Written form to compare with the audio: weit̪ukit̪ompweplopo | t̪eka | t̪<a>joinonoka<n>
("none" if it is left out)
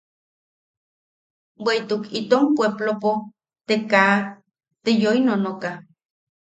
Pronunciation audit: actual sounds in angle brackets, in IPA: e, none

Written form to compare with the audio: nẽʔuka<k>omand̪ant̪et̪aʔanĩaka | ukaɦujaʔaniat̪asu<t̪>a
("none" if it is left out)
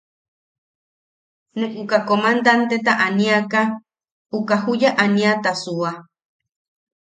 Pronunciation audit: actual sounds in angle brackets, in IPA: k, none

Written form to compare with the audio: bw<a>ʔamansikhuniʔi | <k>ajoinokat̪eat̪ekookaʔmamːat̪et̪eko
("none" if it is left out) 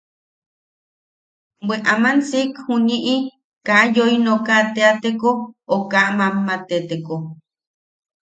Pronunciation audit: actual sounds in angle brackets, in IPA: e, k

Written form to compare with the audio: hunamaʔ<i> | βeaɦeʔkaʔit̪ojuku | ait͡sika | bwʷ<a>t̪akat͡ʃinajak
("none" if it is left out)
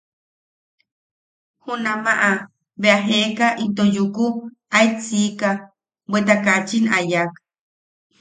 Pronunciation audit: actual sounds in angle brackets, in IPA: a, e

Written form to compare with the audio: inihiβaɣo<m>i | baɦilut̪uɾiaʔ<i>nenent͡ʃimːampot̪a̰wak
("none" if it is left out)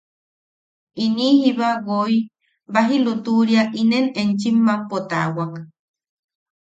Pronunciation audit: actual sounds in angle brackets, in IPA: none, i

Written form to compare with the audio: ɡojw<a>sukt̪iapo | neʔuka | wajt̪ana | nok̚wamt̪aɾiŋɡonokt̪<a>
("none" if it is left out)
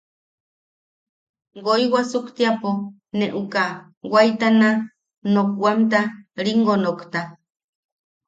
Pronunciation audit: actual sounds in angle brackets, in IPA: a, a

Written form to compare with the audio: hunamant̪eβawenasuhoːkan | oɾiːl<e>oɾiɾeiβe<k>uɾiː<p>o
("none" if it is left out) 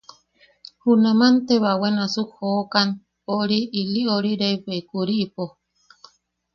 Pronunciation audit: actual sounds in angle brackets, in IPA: i, k, p

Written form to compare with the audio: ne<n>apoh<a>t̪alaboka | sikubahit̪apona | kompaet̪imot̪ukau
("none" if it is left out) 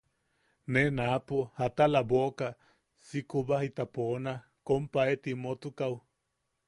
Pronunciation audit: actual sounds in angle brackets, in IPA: n, a

